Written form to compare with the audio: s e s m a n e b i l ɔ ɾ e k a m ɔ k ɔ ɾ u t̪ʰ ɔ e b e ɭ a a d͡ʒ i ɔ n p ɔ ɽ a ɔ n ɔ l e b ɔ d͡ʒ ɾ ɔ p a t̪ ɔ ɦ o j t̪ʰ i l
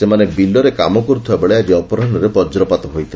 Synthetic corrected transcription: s e m a n e b i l ɔ ɾ e k a m ɔ k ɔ ɾ u t̪ʰ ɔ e b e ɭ e a d͡ʒ i ɔ p ɔ ɾ a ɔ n ɔ ɾ e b ɔ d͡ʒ ɾ ɔ p a t̪ ɔ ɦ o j t̪ʰ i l